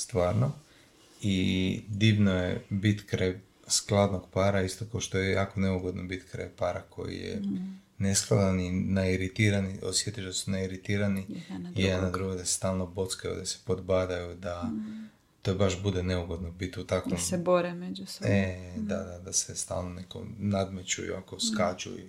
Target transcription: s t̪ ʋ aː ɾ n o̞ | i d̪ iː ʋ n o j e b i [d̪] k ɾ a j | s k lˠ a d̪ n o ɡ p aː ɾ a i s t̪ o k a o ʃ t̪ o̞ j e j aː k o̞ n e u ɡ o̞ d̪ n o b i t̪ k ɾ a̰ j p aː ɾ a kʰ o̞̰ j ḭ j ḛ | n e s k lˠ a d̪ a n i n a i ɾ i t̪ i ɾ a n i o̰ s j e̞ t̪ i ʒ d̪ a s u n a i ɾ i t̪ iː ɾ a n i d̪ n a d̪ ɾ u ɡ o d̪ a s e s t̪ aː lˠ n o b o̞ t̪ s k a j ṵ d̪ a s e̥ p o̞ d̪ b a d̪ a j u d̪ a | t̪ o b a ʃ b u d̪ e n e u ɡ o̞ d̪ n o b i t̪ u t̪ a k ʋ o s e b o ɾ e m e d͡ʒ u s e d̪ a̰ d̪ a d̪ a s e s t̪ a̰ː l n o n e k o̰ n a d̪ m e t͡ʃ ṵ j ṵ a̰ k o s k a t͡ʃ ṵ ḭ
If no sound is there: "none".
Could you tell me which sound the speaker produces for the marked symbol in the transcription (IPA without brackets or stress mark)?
t̪